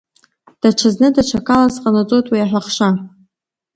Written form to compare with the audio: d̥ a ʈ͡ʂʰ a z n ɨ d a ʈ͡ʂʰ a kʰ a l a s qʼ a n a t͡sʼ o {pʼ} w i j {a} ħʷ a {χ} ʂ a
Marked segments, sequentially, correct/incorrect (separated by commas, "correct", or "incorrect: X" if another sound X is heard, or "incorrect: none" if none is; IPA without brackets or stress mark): incorrect: tʼ, correct, correct